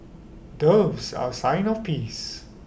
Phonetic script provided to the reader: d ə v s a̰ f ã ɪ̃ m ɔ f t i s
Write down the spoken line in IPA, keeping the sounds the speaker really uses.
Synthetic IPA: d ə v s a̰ s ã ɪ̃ n ɔ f p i s